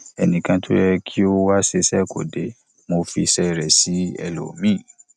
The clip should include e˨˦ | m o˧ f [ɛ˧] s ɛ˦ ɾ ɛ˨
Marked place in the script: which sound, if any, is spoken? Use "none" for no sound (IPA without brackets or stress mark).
i˧